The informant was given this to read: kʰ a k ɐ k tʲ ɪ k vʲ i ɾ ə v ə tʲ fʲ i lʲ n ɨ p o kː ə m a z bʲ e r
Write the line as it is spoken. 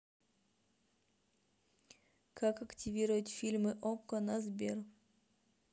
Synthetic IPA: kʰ a k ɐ k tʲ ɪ vʲ i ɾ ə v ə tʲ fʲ i lʲ m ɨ ʔ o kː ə n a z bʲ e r